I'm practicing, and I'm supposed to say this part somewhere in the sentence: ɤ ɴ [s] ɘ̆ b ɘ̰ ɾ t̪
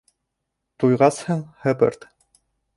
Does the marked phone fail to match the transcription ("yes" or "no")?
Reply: yes